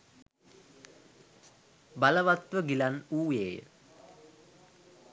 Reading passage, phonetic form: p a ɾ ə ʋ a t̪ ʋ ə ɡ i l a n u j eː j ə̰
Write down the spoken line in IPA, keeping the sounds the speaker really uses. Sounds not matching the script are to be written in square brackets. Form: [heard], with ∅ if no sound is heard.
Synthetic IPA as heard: [b] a [l] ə ʋ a t̪ ʋ ə ɡ i l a n [uː] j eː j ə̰